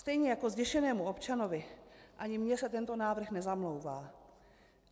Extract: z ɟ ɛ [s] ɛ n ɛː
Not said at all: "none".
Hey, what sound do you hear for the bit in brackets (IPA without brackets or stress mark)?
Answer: ʃ